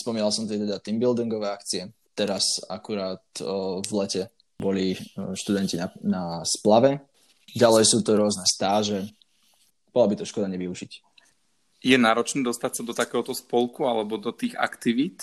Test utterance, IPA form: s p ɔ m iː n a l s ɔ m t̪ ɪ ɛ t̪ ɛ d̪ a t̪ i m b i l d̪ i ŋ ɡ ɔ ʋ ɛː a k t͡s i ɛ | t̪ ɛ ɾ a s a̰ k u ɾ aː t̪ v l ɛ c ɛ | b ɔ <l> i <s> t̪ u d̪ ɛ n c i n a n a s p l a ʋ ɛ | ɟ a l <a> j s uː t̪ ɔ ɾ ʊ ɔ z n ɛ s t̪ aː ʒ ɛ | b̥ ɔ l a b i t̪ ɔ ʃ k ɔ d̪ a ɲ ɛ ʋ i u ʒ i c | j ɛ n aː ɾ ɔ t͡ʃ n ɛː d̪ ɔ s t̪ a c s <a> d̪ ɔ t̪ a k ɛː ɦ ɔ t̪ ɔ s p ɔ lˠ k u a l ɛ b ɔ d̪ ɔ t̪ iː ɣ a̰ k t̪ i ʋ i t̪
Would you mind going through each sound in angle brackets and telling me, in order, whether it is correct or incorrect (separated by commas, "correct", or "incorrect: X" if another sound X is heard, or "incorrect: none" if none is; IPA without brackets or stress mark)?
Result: correct, incorrect: ʃ, incorrect: ɛ, correct